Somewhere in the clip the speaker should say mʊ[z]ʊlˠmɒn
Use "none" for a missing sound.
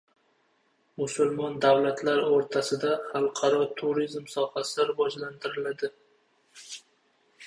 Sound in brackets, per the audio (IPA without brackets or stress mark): s